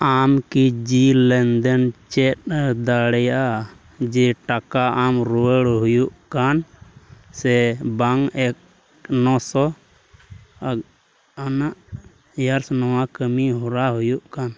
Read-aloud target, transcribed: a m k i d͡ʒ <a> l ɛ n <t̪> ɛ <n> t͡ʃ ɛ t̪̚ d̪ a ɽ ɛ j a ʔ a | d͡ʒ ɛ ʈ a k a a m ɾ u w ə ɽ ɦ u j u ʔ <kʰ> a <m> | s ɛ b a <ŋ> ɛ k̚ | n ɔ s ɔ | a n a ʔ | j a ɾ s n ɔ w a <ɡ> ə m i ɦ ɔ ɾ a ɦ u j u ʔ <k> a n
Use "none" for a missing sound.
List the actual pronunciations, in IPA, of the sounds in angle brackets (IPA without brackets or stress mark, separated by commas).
i, d̪, n, k, n, ŋ, k, k